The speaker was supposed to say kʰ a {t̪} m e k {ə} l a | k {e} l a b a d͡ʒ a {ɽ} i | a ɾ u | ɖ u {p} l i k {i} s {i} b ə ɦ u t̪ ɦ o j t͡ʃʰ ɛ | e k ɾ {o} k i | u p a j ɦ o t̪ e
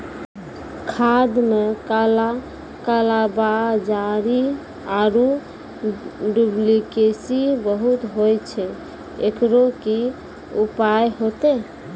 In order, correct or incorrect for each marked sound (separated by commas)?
incorrect, incorrect, incorrect, incorrect, incorrect, incorrect, correct, correct